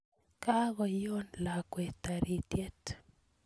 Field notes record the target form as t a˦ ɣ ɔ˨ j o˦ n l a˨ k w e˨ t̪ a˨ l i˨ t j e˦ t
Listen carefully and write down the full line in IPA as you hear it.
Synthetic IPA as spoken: k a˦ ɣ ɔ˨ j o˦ n l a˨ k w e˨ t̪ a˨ ɾ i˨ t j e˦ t